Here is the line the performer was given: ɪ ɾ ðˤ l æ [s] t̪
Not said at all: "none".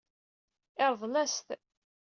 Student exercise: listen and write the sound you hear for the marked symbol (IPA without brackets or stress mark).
s